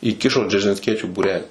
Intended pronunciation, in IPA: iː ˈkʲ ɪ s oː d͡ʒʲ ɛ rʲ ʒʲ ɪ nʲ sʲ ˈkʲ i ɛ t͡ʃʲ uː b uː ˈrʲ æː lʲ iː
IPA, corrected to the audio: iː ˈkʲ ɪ ʃ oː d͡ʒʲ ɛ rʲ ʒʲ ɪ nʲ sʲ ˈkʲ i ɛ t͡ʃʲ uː b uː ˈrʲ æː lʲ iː